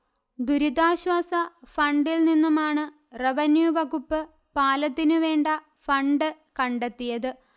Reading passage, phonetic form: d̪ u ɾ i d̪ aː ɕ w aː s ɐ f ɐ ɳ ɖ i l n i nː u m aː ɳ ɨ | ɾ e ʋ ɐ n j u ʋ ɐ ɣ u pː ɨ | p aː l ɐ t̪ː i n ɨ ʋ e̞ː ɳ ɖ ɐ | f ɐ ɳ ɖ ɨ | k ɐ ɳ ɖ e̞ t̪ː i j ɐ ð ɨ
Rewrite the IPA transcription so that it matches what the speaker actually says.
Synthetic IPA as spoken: d̪ u ɾ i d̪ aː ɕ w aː s ɐ f ɐ ɳ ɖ i l n i nː u m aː ɳ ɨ | r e ʋ ɐ n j u ʋ ɐ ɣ u pː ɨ | p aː l ɐ t̪ː i n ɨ ʋ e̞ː ɳ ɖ ɐ | f ɐ ɳ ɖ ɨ | k ɐ ɳ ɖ e̞ t̪ː i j ɐ ð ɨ